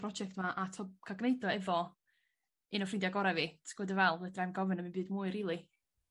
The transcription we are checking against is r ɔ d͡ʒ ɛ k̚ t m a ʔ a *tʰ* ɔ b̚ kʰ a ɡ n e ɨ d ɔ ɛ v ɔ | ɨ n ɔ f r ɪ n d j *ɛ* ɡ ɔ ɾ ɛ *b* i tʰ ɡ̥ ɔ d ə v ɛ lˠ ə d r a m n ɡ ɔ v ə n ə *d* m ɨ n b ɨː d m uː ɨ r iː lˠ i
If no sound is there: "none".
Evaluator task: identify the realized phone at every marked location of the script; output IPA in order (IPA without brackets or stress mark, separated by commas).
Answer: tʰ, a, v, none